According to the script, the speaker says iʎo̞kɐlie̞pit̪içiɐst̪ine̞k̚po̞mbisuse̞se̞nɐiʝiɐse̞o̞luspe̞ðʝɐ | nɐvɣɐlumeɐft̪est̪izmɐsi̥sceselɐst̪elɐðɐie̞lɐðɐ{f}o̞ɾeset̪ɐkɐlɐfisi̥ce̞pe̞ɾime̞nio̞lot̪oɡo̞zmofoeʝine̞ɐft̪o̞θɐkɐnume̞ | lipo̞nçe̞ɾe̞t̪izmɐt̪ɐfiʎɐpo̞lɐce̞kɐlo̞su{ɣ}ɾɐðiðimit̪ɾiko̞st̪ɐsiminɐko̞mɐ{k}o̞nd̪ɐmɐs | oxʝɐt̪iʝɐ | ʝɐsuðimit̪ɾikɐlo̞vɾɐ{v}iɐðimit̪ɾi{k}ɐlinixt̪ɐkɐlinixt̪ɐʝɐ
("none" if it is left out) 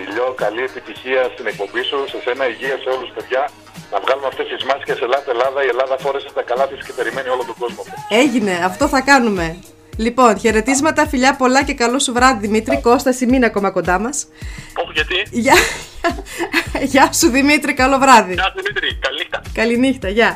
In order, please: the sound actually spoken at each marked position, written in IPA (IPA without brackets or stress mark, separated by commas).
f, v, k, ð, k